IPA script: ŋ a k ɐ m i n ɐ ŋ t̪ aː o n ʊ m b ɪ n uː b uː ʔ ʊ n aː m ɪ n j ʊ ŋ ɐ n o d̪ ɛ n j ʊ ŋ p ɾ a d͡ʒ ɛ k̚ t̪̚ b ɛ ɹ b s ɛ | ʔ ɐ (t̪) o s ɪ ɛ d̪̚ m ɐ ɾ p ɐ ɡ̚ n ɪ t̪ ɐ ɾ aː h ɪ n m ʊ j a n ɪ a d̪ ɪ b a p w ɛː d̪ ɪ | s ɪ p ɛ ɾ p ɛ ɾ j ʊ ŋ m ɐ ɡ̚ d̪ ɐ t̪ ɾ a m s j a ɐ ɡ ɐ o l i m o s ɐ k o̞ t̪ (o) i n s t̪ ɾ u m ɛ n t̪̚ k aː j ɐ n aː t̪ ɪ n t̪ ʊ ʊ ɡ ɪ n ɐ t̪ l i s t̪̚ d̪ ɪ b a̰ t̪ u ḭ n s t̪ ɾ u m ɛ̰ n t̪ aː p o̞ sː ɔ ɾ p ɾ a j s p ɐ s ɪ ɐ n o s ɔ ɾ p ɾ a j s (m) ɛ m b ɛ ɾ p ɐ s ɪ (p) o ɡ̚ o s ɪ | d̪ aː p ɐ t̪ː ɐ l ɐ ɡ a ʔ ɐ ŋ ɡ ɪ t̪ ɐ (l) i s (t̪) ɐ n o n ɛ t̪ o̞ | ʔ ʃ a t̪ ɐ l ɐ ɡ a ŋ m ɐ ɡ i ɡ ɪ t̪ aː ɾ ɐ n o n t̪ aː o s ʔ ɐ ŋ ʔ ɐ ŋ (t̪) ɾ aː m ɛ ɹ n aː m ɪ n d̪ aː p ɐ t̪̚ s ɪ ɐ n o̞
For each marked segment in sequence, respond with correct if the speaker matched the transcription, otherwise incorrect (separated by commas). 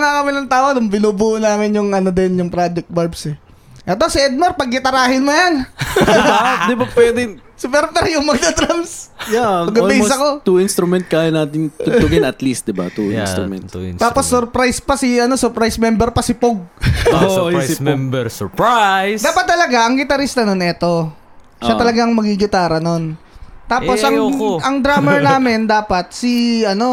correct, incorrect, correct, correct, incorrect, correct, incorrect